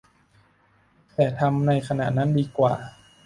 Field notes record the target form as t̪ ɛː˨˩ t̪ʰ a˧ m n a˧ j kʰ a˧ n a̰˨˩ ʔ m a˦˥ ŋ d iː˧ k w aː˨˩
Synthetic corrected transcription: t̪ ɛː˨˩ t̪ʰ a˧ m n a˧ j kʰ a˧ n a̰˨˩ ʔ n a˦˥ n d iː˧ k w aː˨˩